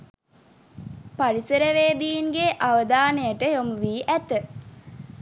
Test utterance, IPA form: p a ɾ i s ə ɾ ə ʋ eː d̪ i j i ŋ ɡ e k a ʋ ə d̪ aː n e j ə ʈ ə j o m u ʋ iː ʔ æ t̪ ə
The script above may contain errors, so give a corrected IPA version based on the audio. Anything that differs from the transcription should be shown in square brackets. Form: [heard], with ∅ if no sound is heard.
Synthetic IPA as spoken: p a ɾ i s ə ɾ ə ʋ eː d̪ i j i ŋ ɡ e [ʔ] a ʋ ə d̪ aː n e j ə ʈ ə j o m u ʋ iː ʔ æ t̪ ə